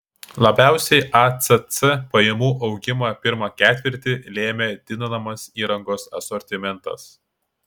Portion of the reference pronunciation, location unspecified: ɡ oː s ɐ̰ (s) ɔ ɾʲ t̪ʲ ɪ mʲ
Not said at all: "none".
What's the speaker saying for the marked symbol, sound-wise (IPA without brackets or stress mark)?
s